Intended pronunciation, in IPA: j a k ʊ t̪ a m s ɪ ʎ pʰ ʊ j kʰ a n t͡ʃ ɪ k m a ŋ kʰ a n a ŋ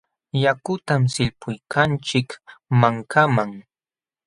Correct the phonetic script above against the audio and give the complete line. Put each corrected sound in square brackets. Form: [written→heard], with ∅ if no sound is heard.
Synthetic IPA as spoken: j a k ʊ t̪ a m s ɪ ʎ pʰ ʊ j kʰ a n t͡ʃ ɪ k m a ŋ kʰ a [n→m] a ŋ